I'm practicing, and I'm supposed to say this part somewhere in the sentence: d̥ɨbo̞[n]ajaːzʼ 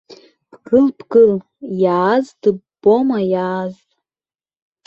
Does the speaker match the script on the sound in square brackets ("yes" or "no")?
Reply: no